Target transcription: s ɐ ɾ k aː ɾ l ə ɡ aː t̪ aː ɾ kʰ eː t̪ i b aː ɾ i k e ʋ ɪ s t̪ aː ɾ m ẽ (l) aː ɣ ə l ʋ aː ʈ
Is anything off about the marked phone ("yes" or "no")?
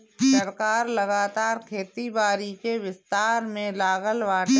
no